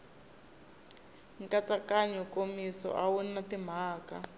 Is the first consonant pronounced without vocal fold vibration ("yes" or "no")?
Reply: no